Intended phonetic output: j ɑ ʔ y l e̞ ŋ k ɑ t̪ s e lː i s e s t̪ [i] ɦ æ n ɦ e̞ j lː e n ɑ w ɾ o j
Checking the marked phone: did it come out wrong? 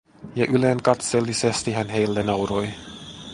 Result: no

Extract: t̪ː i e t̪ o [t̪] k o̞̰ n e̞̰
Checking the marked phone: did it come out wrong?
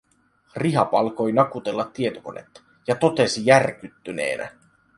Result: yes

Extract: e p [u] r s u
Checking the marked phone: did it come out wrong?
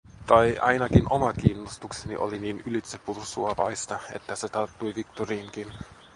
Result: no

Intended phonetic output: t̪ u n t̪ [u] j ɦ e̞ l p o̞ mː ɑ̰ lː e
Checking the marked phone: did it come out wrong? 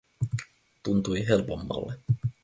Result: no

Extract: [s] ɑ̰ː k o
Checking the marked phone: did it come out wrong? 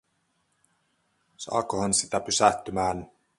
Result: no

